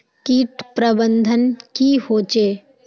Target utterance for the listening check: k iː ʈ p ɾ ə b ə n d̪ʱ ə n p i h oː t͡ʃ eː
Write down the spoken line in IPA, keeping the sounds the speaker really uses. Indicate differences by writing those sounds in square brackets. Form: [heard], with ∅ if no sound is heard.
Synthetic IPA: k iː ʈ p ɾ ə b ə n d̪ʱ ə n [k] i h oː t͡ʃ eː